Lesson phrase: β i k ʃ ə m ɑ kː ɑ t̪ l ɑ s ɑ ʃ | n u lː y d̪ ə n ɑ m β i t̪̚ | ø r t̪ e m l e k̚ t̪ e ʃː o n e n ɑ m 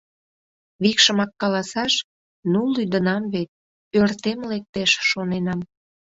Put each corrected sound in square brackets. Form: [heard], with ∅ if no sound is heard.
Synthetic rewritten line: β i k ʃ ə m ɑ kː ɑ [∅] l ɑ s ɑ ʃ | n u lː y d̪ ə n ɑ m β [e] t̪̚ | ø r t̪ e m l e k̚ t̪ e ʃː o n e n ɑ m